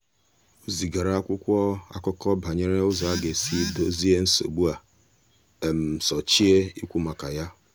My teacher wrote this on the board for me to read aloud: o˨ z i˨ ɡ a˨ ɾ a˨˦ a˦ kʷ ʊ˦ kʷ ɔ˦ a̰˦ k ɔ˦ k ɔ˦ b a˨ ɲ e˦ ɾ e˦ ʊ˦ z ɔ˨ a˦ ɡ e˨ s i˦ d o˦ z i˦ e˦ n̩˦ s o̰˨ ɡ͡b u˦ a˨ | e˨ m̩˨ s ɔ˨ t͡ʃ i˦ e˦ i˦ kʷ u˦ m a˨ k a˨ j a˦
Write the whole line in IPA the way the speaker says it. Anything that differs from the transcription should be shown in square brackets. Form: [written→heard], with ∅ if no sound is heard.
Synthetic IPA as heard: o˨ z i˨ ɡ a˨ ɾ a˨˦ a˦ kʷ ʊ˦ kʷ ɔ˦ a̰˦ k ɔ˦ k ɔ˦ b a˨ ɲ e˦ ɾ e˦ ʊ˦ z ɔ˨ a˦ ɡ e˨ s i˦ d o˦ z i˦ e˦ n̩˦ s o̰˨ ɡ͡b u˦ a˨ | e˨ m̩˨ s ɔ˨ t͡ʃ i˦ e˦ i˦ kʷ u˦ m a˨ k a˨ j a˦